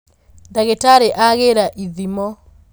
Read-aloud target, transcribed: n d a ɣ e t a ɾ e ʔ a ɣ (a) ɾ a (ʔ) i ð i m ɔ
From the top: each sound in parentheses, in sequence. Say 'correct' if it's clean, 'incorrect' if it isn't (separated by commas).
incorrect, correct